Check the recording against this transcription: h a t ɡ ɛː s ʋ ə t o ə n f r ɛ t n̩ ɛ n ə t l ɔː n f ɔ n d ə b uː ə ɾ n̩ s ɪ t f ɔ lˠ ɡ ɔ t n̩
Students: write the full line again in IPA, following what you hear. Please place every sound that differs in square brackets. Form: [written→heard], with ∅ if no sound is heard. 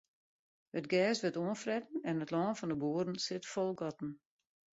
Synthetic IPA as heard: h [a→ə] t ɡ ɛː s ʋ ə t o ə n f r ɛ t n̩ ɛ n ə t l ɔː n f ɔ n d ə b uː ə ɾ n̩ s ɪ t f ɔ lˠ ɡ ɔ t n̩